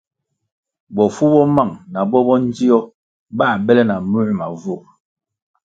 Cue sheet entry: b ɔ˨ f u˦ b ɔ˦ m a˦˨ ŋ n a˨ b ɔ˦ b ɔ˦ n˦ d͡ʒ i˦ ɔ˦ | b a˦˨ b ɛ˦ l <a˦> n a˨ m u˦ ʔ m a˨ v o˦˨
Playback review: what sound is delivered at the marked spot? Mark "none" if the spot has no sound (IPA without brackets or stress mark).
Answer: ɛ˦